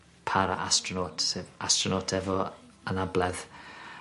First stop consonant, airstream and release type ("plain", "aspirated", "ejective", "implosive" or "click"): aspirated